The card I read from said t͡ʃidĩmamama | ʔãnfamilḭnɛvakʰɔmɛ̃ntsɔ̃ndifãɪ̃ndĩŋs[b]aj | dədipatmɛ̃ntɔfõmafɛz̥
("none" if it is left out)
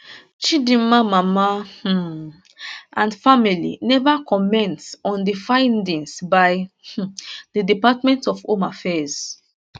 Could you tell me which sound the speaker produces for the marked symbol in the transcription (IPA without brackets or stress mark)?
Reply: b